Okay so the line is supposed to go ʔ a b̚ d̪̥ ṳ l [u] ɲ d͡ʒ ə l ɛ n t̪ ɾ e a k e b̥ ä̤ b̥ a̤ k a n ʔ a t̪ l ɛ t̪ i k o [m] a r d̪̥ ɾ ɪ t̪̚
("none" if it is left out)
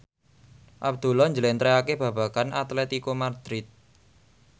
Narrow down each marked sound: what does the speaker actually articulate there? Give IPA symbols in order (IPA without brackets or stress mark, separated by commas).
ɔ, m